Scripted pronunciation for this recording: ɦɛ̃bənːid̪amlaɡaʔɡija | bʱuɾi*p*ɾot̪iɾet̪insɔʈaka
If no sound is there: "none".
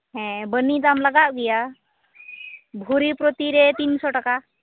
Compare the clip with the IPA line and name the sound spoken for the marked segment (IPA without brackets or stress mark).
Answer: p